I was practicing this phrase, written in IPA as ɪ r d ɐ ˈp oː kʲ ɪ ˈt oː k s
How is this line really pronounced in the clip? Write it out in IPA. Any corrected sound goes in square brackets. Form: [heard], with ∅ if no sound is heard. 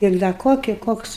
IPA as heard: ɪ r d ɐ [ˈk] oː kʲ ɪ [ˈk] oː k s